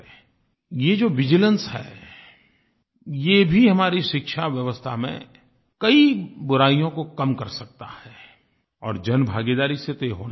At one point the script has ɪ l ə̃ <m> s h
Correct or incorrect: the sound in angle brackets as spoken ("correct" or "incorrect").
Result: incorrect